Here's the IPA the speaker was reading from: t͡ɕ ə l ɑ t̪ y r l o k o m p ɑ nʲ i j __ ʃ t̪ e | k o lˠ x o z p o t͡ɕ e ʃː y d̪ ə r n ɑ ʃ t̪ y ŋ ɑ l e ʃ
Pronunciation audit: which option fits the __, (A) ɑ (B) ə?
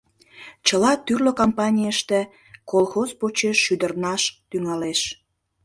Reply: B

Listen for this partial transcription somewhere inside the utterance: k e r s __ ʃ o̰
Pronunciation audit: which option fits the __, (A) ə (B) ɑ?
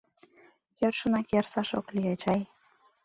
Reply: B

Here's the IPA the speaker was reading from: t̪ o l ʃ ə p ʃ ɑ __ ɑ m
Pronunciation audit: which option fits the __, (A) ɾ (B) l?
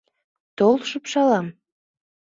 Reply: B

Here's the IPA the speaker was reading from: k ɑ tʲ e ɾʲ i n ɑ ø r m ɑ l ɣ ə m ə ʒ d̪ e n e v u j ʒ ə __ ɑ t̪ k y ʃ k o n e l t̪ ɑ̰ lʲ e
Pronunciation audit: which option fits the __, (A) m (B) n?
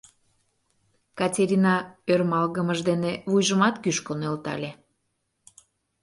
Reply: A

